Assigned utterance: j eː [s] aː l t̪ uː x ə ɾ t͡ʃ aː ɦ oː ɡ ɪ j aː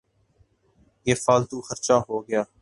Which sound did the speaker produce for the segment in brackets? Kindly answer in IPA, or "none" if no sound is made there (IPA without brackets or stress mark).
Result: f